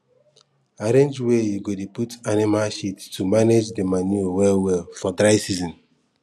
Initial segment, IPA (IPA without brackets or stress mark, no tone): a